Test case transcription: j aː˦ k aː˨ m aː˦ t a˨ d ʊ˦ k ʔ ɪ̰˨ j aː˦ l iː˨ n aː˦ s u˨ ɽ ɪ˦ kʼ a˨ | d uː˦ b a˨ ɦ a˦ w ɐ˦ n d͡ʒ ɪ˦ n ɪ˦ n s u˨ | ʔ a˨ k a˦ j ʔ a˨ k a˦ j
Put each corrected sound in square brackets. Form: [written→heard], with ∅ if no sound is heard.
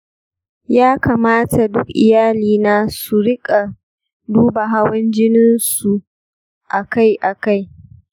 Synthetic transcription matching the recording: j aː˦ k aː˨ m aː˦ t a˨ d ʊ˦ k ʔ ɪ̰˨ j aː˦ l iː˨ n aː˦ s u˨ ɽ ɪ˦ kʼ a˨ | d uː˦ b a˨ ɦ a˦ w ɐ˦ n d͡ʒ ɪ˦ n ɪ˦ n s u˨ | ʔ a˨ k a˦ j ʔ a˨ k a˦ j